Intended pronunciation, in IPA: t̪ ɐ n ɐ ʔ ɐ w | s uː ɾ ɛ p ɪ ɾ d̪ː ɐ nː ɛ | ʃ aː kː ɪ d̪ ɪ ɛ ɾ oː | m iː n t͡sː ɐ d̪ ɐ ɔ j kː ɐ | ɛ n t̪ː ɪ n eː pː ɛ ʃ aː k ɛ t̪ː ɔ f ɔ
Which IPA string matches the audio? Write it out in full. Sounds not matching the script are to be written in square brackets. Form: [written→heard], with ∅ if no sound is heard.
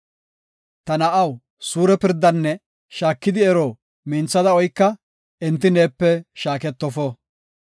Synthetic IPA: t̪ ɐ n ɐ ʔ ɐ w | s uː ɾ ɛ p ɪ ɾ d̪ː ɐ nː ɛ | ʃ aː kː ɪ d̪ ɪ ɛ ɾ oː | m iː n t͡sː ɐ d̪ ɐ ɔ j kː ɐ | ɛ n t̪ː ɪ n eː pː ɛ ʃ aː k ɛ t̪ː ɔ f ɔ